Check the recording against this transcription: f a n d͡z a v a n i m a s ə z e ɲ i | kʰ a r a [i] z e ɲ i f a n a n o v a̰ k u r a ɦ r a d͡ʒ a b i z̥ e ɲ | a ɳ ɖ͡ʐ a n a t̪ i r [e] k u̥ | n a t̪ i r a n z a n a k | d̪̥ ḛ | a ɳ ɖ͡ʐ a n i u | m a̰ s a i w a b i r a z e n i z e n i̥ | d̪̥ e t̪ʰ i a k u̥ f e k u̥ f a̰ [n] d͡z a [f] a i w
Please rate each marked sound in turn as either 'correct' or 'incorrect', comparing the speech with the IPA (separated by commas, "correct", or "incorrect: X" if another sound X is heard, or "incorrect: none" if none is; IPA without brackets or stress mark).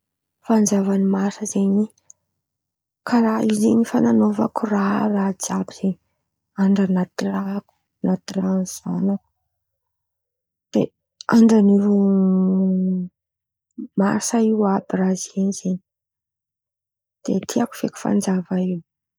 correct, incorrect: a, correct, incorrect: v